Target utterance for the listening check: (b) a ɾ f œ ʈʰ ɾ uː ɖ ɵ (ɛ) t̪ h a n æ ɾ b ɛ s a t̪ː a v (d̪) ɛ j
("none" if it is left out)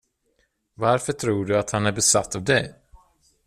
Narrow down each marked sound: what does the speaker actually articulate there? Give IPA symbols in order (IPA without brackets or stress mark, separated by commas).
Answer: v, a, d̪